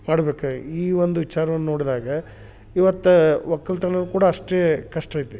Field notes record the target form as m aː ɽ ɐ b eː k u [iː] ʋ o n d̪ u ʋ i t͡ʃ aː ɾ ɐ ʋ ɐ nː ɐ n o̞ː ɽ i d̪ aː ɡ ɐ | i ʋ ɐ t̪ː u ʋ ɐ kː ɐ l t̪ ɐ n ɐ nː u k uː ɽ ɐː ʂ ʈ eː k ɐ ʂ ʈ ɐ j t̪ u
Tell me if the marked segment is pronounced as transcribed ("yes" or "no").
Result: yes